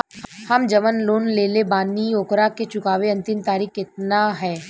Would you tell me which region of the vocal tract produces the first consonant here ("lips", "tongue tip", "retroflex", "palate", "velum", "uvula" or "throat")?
throat